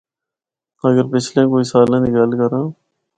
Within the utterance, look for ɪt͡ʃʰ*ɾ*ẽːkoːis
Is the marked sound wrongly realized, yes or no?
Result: yes